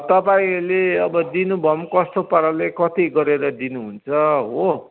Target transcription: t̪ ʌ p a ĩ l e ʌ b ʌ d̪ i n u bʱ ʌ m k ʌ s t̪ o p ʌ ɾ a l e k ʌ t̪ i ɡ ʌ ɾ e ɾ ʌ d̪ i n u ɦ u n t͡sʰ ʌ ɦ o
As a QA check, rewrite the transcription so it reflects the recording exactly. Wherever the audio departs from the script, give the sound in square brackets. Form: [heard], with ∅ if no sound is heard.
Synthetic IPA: t̪ ʌ p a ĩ l e ʌ b ʌ d̪ i n u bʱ ʌ m k ʌ s t̪ o p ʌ ɾ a l e k ʌ t̪ i ɡ ʌ ɾ e ɾ ʌ d̪ i n u ɦ u n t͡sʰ ʌ ɦ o